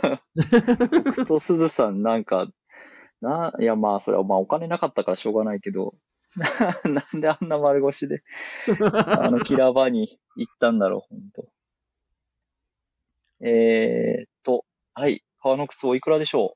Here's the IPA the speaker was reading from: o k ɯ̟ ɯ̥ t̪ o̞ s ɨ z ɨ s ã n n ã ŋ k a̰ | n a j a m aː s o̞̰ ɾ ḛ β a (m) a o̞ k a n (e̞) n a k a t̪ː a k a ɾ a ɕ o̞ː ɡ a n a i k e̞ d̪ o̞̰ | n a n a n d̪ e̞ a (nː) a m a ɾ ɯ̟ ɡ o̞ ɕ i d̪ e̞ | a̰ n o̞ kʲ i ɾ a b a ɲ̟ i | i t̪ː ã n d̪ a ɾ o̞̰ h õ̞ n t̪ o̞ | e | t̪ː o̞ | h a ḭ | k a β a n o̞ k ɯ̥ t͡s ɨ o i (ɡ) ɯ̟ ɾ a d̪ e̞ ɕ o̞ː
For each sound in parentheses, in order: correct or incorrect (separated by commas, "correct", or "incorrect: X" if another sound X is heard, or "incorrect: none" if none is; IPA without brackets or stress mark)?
correct, correct, correct, incorrect: k